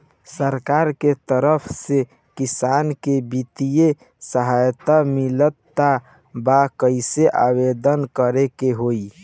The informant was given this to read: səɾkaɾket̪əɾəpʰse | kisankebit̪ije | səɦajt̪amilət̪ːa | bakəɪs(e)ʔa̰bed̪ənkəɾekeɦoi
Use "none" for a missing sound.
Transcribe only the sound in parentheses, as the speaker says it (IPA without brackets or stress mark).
e